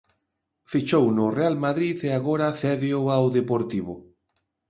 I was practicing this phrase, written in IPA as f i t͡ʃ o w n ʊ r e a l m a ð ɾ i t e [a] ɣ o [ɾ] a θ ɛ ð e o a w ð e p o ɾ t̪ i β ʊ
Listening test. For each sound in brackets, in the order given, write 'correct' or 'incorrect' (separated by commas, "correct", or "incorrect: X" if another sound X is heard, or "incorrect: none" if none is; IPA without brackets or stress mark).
correct, correct